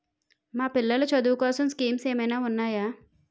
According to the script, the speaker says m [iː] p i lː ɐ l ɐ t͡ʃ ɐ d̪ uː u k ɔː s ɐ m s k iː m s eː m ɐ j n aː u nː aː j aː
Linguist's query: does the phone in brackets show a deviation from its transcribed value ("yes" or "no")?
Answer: yes